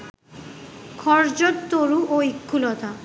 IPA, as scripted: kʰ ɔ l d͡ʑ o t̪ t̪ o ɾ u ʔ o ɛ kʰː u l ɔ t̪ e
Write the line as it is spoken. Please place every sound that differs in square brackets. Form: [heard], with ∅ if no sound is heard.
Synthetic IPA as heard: kʰ ɔ [ɾ] d͡ʑ o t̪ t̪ o ɾ u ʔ o [i] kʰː u l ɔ t̪ [a]